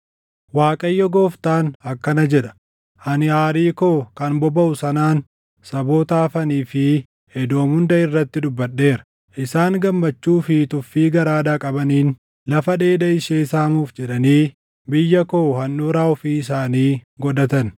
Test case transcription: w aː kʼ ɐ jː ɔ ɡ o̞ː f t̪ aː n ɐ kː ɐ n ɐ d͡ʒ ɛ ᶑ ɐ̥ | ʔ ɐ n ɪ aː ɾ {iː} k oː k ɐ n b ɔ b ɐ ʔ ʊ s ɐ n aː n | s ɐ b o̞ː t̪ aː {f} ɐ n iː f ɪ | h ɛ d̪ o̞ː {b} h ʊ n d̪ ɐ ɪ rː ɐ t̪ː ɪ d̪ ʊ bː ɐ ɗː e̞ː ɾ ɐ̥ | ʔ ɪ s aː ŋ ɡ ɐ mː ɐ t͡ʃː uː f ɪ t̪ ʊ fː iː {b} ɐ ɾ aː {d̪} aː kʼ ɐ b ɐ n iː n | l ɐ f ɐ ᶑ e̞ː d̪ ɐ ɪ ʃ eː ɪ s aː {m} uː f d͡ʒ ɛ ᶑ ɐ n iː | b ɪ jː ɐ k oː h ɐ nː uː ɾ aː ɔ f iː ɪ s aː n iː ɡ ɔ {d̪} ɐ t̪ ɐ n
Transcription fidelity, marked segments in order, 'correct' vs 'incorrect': correct, correct, incorrect: m, incorrect: ɡ, correct, correct, correct

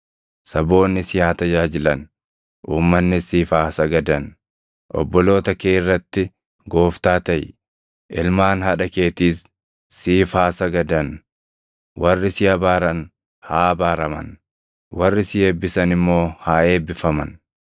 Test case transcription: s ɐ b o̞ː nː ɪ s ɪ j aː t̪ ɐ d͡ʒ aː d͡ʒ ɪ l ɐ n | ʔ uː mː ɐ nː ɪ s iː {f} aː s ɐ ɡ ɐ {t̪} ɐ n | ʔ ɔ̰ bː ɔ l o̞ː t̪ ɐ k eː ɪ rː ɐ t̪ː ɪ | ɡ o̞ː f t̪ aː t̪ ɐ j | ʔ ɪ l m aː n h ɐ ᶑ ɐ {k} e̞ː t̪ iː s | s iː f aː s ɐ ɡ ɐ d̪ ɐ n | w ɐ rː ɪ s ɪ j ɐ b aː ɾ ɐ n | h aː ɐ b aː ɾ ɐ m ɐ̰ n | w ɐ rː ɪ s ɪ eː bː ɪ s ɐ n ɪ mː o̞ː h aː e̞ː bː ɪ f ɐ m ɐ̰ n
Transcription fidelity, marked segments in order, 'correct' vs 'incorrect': correct, incorrect: d̪, correct

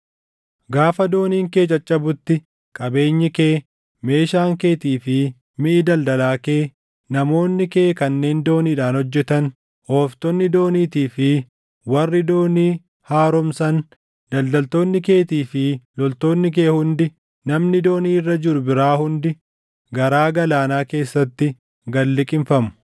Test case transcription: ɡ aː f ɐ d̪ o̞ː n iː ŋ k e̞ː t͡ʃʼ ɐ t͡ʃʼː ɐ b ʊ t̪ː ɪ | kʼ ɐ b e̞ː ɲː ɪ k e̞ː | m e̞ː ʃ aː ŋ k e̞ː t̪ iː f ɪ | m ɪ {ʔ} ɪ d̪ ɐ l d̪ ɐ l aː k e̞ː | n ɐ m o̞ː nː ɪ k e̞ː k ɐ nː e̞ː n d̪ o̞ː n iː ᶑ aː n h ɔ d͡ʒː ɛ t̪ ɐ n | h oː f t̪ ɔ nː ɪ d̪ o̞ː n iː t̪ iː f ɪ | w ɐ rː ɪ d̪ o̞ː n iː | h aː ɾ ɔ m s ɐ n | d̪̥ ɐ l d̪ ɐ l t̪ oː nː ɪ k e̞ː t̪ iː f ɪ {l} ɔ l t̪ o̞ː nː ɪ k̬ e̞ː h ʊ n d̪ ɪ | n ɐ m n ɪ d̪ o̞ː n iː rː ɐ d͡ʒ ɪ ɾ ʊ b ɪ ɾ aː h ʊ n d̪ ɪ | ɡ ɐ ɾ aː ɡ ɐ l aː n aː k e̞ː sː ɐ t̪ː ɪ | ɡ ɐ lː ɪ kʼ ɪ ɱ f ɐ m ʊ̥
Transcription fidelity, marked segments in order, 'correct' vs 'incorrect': correct, correct

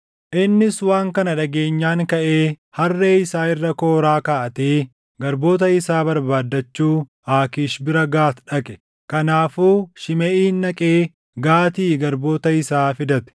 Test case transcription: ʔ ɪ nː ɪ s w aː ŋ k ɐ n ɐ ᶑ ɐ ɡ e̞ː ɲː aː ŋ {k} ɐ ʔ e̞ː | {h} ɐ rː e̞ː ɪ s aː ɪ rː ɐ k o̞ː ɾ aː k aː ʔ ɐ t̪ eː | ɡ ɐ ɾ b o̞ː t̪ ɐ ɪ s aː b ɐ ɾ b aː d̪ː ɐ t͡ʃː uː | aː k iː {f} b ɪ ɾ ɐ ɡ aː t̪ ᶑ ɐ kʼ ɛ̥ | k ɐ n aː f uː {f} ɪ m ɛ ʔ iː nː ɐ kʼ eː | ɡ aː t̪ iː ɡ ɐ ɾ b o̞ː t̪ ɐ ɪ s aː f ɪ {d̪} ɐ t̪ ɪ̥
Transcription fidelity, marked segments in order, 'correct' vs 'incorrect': correct, correct, incorrect: ʃ, incorrect: ʃ, correct

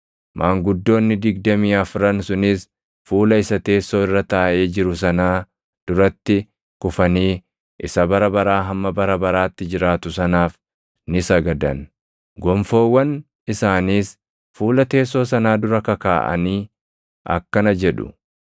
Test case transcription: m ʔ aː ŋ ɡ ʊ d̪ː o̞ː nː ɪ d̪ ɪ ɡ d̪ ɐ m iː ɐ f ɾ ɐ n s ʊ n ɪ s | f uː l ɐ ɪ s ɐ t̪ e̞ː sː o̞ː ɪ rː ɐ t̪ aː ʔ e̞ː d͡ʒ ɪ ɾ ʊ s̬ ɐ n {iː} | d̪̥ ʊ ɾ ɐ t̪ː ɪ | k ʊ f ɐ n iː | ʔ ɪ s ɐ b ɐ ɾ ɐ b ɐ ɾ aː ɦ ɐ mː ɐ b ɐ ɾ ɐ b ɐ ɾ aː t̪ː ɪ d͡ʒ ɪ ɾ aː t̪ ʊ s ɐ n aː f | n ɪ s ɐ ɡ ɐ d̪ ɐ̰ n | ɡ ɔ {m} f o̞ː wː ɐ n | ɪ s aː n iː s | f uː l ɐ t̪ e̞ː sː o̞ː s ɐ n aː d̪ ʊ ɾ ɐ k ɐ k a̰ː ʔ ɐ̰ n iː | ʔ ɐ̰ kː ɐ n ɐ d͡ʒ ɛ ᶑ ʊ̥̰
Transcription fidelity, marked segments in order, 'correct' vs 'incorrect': incorrect: aː, correct

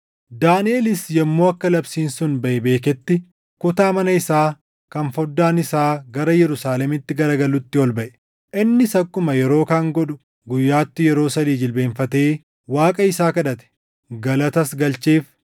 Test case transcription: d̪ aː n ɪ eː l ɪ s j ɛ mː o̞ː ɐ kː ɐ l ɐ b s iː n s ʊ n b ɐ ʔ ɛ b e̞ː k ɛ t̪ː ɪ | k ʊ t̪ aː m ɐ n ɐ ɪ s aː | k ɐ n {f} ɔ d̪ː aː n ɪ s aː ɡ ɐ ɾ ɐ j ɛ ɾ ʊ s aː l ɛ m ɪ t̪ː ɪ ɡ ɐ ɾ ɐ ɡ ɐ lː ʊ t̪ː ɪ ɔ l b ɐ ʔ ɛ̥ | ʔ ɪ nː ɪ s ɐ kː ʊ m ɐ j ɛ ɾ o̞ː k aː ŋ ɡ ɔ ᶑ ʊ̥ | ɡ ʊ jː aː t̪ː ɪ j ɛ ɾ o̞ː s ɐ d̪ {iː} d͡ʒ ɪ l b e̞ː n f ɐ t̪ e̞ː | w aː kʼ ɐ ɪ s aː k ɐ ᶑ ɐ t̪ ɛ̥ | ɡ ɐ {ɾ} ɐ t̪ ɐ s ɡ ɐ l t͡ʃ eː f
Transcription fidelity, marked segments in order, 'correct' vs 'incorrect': correct, correct, incorrect: l

